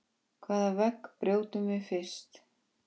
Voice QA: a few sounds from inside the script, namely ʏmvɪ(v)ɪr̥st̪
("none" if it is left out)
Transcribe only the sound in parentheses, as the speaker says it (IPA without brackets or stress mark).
f